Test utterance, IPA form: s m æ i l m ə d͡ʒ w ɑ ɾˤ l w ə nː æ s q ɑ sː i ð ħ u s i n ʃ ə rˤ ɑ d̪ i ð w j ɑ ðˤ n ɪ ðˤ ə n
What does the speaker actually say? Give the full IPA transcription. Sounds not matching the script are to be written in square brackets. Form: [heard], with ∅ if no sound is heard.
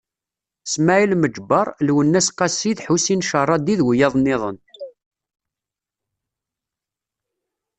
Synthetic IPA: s m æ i l m ə d͡ʒ [b] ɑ ɾˤ l w ə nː æ s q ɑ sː i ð ħ u s i n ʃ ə rˤ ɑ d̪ i ð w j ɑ ðˤ n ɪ ðˤ ə n